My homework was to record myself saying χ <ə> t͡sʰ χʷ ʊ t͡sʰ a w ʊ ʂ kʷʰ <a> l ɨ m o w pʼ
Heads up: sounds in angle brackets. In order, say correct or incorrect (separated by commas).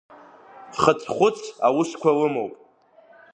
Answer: correct, correct